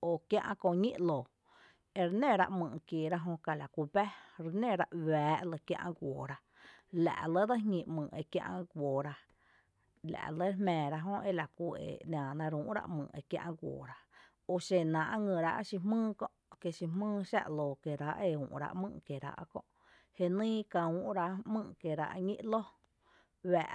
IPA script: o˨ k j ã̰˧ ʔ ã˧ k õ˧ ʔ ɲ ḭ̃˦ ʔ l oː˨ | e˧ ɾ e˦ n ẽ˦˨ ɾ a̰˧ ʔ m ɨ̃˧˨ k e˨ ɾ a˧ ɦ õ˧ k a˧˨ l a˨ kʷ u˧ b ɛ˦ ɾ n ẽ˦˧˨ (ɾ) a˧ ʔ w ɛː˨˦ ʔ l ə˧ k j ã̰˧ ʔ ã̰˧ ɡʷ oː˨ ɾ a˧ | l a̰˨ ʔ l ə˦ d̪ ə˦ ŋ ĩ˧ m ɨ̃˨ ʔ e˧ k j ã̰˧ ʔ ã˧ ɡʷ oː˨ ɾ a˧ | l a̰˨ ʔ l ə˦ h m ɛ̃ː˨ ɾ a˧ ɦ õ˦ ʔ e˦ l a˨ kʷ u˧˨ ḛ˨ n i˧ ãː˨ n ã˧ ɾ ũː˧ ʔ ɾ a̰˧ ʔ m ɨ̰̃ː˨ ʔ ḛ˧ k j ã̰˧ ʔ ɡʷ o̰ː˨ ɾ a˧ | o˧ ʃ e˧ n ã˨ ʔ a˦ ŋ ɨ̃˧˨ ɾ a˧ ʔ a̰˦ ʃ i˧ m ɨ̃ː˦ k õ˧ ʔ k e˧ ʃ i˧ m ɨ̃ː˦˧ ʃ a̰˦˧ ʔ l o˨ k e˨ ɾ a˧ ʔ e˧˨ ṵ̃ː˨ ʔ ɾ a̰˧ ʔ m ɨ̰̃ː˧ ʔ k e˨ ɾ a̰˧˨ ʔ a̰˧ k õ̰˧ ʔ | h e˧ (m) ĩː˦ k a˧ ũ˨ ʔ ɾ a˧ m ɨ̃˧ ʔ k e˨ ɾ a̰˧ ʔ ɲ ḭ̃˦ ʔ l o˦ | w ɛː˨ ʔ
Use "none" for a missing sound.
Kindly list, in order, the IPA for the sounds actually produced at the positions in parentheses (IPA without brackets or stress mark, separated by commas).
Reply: ɾ, n